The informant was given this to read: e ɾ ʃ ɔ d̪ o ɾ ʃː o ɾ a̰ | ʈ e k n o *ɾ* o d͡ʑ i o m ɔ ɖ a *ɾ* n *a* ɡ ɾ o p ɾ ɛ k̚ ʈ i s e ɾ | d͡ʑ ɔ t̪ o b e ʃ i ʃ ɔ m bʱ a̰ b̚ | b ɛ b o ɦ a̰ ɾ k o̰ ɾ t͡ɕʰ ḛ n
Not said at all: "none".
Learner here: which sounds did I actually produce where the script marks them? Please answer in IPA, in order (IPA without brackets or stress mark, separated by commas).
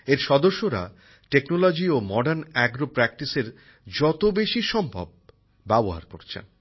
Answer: l, ɾ, ɛ